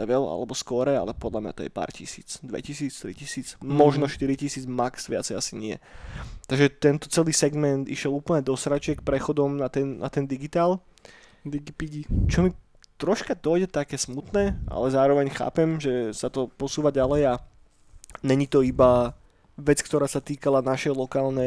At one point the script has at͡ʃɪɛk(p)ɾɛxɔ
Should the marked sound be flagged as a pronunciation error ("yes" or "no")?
no